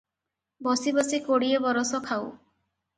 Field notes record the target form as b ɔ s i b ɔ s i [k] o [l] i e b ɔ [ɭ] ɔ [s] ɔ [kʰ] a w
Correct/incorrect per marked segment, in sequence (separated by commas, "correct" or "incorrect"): correct, incorrect, incorrect, correct, correct